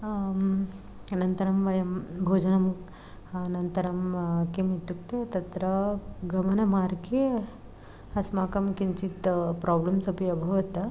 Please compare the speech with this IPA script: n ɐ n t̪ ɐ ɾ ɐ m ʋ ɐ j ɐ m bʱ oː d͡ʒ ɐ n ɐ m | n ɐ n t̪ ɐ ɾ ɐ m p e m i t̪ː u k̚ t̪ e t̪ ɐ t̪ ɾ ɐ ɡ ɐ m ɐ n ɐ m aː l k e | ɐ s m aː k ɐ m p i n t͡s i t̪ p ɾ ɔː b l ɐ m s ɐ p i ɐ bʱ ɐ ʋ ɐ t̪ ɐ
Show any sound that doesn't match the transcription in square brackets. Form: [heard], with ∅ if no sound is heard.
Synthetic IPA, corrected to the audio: n ɐ n t̪ ɐ ɾ ɐ m ʋ ɐ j ɐ m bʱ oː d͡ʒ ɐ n ɐ m | n ɐ n t̪ ɐ ɾ ɐ m [k] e m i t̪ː u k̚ t̪ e t̪ ɐ t̪ ɾ ɐ ɡ ɐ m ɐ n ɐ m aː [ɾ] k e | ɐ s m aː k ɐ m [k] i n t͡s i t̪ p ɾ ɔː b l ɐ m s ɐ p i ɐ bʱ ɐ ʋ ɐ t̪ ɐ